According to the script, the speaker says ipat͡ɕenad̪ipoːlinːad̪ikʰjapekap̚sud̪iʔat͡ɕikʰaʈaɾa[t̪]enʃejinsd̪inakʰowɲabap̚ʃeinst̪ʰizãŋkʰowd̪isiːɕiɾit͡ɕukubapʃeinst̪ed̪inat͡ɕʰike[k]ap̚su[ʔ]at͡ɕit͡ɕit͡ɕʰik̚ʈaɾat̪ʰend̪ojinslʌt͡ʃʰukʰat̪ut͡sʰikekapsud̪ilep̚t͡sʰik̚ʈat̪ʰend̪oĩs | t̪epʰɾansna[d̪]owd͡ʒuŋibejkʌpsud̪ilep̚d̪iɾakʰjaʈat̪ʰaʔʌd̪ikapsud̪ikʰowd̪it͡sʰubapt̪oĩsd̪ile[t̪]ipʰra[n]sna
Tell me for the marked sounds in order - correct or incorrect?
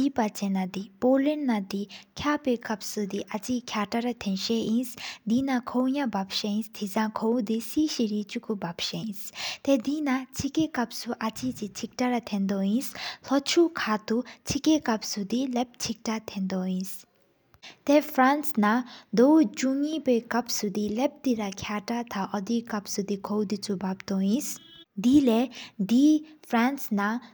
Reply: incorrect: t̪ʰ, correct, correct, correct, incorrect: d̪, correct

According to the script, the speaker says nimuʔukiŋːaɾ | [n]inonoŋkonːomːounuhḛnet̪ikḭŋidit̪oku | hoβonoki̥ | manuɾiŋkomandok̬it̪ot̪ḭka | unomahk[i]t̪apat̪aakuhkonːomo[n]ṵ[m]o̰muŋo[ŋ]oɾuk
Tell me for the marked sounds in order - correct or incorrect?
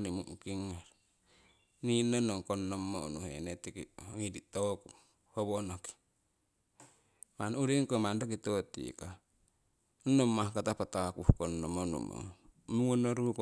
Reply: correct, incorrect: a, correct, correct, incorrect: n

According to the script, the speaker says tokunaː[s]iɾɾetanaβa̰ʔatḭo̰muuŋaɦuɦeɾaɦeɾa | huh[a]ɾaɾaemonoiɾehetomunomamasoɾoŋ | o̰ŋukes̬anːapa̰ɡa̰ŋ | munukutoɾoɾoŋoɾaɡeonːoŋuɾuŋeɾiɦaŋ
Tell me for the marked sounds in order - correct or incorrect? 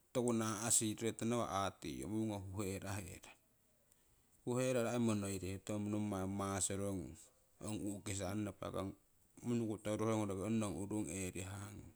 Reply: correct, incorrect: e

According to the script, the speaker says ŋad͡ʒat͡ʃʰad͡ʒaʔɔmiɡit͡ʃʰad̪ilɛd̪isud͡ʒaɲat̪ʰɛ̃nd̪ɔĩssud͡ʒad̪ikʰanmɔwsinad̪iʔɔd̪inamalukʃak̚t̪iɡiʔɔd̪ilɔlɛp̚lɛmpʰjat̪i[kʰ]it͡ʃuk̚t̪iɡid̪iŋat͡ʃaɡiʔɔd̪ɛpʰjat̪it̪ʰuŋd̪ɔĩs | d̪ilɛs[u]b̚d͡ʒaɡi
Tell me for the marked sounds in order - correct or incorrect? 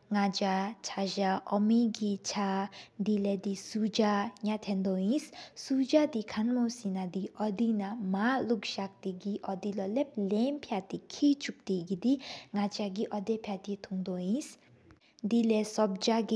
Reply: correct, incorrect: ɔ

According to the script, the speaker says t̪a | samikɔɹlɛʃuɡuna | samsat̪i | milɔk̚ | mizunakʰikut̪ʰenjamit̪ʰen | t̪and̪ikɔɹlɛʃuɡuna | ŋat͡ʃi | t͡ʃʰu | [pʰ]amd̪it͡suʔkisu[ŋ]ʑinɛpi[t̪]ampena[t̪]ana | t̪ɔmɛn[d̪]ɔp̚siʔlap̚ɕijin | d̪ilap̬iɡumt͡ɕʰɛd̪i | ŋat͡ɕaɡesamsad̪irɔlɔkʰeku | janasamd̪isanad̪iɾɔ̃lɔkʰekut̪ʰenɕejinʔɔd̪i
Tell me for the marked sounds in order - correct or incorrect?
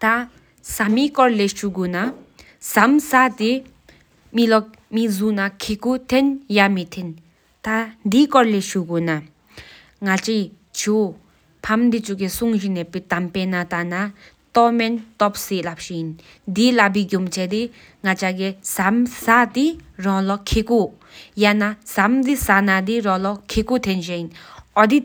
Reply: correct, correct, correct, correct, incorrect: t̪

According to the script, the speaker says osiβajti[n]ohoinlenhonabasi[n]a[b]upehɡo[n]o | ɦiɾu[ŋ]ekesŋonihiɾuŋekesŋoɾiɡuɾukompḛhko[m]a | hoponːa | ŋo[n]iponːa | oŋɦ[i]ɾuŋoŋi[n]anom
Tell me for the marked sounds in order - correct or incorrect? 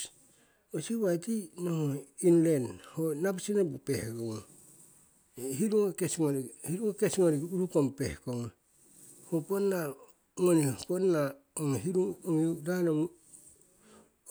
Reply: correct, correct, correct, incorrect: ŋ, correct, incorrect: ŋ, correct, correct, incorrect: d

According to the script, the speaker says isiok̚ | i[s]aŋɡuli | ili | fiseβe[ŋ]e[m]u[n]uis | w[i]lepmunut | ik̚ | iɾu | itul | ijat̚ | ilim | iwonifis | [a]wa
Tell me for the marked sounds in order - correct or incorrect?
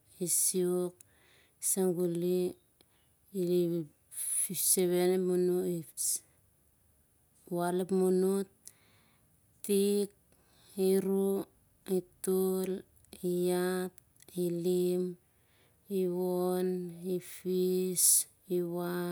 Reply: correct, incorrect: n, correct, correct, incorrect: a, incorrect: i

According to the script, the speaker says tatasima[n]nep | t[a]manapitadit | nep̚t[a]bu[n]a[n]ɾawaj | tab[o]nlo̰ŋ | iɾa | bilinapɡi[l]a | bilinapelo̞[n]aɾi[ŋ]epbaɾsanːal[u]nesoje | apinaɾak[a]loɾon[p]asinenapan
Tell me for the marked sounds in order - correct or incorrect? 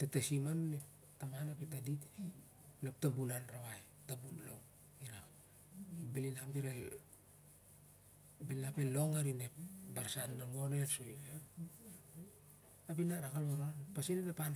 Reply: correct, correct, correct, correct, correct, incorrect: u, incorrect: ɾ, incorrect: ŋ, incorrect: n, incorrect: o, correct, correct

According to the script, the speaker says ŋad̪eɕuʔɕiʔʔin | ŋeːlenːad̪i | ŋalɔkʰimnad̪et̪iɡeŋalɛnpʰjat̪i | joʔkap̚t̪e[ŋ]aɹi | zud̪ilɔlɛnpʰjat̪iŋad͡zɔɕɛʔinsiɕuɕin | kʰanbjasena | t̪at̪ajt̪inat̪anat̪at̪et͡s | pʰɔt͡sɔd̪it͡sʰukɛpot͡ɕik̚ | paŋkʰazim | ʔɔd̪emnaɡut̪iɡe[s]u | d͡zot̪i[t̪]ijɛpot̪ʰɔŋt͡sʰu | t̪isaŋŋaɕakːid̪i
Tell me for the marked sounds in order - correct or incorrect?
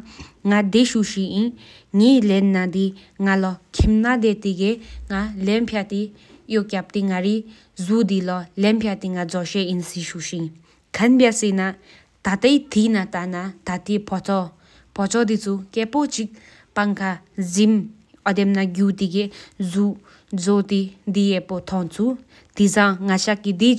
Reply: correct, incorrect: z, incorrect: d̪

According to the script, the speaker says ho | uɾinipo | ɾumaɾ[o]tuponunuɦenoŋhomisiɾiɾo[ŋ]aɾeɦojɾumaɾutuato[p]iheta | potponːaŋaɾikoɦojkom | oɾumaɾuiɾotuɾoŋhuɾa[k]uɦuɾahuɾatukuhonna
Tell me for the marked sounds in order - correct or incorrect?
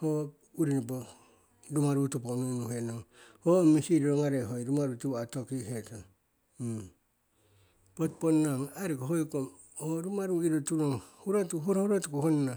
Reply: incorrect: u, correct, incorrect: k, incorrect: t

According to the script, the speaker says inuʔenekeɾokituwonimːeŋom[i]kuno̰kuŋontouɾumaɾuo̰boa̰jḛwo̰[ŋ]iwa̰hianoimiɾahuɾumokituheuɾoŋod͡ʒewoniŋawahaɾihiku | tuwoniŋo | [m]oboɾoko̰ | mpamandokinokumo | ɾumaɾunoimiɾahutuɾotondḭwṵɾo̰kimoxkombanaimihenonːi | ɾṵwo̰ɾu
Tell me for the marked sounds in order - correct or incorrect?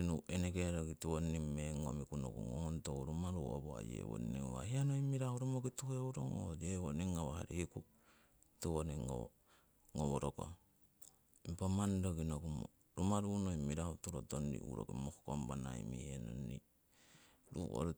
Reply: correct, incorrect: n, incorrect: ŋ

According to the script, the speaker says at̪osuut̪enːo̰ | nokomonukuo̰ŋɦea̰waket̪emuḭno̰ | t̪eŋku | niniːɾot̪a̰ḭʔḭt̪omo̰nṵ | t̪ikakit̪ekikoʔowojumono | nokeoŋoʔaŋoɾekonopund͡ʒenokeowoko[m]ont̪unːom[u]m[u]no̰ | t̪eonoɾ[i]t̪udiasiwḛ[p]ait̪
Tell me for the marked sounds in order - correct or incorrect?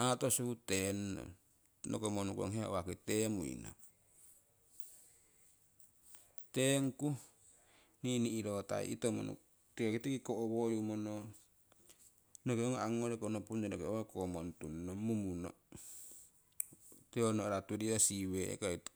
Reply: correct, correct, correct, incorrect: a, incorrect: k

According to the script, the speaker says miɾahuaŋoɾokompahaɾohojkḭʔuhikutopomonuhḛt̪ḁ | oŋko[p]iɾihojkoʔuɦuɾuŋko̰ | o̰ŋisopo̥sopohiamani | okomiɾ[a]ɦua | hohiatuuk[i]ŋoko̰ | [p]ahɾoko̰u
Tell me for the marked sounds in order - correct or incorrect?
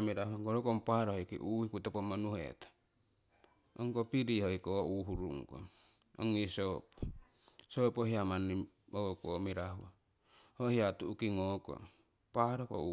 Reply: correct, correct, correct, correct

